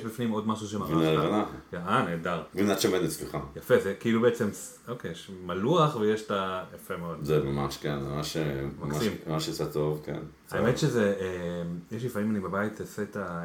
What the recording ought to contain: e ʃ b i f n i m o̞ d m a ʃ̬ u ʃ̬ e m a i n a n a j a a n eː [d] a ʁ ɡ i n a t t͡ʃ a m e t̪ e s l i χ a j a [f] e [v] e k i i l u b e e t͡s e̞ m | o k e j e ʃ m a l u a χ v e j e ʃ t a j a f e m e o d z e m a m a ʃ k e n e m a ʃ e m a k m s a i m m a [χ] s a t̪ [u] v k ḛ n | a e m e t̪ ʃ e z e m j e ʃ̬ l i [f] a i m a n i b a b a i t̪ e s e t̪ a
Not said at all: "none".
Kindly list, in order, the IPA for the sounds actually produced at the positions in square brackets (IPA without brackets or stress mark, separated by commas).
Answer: d, f, z, ʃ, o, f